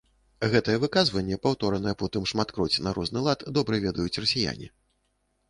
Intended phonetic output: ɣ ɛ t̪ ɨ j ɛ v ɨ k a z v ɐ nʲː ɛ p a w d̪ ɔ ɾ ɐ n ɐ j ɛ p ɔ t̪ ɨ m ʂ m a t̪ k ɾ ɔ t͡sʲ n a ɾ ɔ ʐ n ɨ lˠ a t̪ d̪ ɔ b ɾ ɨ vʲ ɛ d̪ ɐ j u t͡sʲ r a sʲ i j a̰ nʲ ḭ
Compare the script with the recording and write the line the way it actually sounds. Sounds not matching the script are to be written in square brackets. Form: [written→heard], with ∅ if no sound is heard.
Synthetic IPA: ɣ ɛ t̪ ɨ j ɛ v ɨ k a z v ɐ nʲː ɛ p a w [d̪→t̪] ɔ ɾ ɐ n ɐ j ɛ p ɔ t̪ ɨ m ʂ m a t̪ k ɾ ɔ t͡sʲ n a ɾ ɔ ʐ n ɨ lˠ a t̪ d̪ ɔ b ɾ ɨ vʲ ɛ d̪ ɐ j u t͡sʲ r [a→ɐ] sʲ i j a̰ nʲ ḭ